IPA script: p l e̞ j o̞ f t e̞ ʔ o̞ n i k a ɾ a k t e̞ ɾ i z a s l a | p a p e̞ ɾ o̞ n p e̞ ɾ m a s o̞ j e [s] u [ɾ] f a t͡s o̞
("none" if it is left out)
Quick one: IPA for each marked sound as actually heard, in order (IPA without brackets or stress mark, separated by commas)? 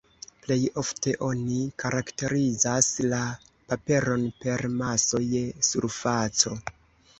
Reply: s, ɾ